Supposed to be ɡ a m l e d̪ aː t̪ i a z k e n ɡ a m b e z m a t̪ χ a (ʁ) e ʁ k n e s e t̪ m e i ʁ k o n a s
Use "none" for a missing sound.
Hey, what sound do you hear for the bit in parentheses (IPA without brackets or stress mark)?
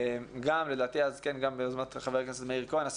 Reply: v